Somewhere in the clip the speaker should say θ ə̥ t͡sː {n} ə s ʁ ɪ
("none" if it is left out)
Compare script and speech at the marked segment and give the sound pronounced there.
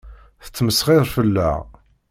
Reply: m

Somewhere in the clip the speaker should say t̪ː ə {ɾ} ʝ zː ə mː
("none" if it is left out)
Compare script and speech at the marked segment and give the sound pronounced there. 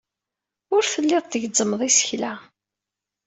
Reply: none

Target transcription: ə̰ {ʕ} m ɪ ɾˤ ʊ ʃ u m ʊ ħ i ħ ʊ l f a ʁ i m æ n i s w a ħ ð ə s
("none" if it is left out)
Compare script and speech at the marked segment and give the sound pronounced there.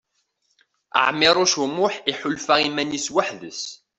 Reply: ʕ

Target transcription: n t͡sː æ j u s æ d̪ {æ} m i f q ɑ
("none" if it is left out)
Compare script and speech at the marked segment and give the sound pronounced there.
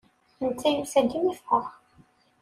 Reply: i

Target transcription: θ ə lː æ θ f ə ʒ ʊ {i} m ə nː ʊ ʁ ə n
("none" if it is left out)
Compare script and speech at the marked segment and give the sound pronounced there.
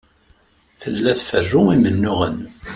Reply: i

